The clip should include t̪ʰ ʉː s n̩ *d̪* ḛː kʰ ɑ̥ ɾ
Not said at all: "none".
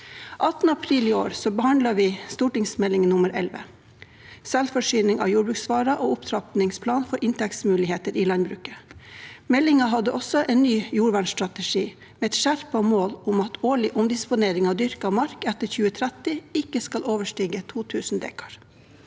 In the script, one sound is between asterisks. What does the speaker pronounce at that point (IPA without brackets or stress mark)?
d̪